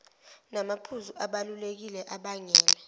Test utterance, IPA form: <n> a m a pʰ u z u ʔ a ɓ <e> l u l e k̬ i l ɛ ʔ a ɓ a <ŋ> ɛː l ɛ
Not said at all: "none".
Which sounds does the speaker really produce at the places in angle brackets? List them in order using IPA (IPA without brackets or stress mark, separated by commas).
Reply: n, a, ŋ